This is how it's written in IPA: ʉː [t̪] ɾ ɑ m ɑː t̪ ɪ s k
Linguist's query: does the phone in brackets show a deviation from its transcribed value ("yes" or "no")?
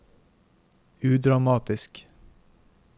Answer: yes